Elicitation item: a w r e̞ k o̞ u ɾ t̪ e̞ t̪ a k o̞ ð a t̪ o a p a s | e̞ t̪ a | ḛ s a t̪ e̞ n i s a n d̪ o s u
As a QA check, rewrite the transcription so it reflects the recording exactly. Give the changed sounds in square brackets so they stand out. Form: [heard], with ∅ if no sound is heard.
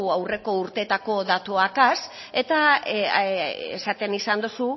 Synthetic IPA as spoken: a w r e̞ k o̞ u ɾ t̪ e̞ t̪ a k o̞ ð a t̪ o a [k] a s | e̞ t̪ a | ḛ s a t̪ e̞ n i s a n d̪ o s u